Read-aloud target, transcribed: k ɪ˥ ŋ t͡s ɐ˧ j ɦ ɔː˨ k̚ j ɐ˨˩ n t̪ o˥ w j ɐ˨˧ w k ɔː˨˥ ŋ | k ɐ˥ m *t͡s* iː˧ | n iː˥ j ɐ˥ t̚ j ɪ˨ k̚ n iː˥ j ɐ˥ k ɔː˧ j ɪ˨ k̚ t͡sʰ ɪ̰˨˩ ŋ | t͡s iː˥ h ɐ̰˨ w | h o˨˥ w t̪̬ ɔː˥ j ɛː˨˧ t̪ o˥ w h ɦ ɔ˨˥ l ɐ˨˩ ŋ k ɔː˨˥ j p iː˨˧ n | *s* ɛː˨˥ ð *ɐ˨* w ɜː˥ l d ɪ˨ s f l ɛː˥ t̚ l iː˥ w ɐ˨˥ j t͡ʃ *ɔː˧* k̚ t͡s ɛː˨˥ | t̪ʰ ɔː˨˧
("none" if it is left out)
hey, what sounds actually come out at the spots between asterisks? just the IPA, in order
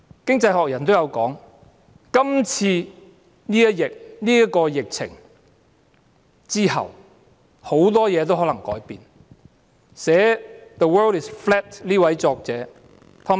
t͡sʰ, s, ə˨, ɔː˧

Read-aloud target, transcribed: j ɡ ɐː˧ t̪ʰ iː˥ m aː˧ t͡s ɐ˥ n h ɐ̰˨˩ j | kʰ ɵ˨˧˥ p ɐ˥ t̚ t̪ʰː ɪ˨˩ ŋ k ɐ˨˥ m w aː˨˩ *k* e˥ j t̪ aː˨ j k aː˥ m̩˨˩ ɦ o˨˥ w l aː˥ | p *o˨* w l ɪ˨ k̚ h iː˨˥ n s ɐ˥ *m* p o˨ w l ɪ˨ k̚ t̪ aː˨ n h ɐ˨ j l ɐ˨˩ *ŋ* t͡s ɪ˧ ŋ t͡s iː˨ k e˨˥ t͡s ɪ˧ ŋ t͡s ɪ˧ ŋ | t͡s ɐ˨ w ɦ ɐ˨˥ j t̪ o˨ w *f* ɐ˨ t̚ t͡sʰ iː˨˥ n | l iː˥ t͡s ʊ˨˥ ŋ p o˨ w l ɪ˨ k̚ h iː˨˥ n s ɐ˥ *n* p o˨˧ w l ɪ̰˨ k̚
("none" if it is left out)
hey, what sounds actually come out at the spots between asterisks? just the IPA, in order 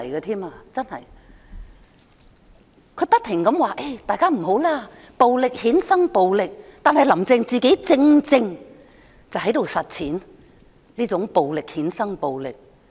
ʔ, o˨, ŋ, m, s, ŋ

